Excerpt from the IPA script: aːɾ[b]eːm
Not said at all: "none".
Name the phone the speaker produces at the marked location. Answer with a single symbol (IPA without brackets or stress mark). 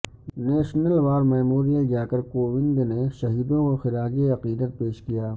m